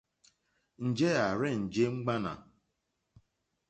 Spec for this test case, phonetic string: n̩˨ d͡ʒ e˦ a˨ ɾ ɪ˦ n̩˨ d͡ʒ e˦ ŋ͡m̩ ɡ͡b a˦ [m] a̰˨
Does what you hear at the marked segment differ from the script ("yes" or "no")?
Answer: yes